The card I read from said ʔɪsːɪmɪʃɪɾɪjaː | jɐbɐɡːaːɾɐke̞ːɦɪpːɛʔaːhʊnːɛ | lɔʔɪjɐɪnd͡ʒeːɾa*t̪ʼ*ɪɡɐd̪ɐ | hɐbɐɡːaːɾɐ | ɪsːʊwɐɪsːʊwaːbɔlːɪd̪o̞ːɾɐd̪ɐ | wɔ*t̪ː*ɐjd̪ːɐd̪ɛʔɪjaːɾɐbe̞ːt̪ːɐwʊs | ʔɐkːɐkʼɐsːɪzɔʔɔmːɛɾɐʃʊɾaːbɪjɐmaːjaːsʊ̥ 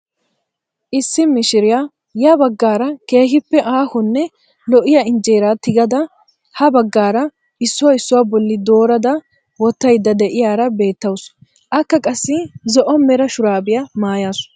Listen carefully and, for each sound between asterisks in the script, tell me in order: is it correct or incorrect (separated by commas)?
incorrect, correct